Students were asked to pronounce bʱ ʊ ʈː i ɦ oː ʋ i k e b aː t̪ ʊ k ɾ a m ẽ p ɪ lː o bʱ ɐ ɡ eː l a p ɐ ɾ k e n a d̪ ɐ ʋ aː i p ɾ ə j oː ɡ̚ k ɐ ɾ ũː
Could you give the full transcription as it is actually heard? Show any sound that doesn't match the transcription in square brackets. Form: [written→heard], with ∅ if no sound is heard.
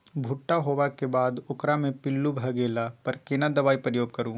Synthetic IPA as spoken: bʱ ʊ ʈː [i→a] ɦ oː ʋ [i→a] k e b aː [t̪→d̪] ʊ k ɾ a m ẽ p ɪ lː [o→u] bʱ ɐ ɡ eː l a p ɐ ɾ k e n a d̪ ɐ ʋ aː i p ɾ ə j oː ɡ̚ k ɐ ɾ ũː